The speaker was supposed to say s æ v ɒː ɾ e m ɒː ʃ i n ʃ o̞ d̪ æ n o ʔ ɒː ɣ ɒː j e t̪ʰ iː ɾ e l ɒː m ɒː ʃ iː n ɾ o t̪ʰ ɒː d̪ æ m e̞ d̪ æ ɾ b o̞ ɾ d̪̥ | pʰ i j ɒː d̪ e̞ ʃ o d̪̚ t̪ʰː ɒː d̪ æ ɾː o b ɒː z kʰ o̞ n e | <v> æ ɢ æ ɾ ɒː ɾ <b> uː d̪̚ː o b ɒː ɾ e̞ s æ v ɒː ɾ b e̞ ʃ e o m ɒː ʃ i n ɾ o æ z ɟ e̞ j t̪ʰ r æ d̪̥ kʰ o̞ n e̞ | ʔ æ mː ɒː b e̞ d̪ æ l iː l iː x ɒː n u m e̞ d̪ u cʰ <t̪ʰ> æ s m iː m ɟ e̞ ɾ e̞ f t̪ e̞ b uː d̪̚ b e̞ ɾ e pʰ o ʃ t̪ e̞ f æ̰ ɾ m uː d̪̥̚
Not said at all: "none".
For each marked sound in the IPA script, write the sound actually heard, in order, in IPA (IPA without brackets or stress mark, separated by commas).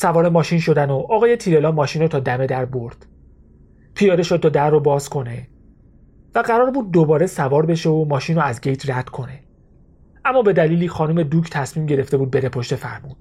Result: v, b, t̪ʰ